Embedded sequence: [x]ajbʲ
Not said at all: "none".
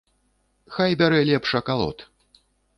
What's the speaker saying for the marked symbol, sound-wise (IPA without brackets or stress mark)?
x